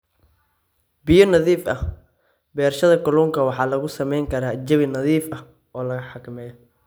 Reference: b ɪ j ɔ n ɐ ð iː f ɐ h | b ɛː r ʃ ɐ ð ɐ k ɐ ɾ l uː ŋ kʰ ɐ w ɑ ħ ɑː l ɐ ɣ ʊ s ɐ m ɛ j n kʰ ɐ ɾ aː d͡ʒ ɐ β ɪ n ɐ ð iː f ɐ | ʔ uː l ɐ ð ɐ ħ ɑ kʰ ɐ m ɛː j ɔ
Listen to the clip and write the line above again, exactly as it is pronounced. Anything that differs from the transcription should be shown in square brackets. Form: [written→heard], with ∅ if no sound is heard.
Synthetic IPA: b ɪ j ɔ n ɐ ð iː f ɐ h | b ɛː r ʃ ɐ ð ɐ k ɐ [ɾ→∅] l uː ŋ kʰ ɐ w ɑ ħ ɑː l ɐ ɣ ʊ s ɐ m ɛ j [n→ŋ] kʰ ɐ ɾ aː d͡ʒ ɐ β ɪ n ɐ ð iː f ɐ | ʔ [uː→ɔː] l ɐ [ð→ɣ] ɐ ħ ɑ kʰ ɐ m ɛː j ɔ